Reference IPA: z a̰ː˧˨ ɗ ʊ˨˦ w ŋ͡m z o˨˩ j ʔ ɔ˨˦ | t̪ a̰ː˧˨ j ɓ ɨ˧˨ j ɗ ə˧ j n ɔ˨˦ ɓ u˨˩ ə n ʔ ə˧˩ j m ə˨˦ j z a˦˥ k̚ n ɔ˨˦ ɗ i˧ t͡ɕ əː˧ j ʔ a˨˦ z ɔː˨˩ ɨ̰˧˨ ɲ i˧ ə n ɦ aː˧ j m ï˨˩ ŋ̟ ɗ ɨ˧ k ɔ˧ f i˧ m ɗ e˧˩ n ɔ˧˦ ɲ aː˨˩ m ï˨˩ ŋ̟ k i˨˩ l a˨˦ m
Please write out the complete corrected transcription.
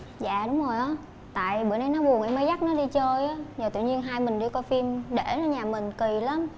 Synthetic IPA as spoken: z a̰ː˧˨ ɗ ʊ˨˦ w ŋ͡m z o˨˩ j ʔ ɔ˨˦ | t̪ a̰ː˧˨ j ɓ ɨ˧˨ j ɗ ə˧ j n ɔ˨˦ ɓ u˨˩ ə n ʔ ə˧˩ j m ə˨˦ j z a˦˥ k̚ n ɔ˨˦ ɗ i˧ t͡ɕ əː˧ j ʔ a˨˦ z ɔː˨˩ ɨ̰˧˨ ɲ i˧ ə n ɦ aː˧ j m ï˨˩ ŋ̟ ɗ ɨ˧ k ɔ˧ f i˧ m ɗ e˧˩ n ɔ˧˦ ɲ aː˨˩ m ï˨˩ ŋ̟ k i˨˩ l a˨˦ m